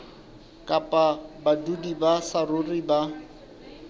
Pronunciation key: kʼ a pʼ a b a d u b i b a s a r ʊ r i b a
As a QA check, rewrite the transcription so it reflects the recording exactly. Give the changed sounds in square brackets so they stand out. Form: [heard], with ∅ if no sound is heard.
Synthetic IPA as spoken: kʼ a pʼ a b a d u [d] i b a s a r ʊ r i b a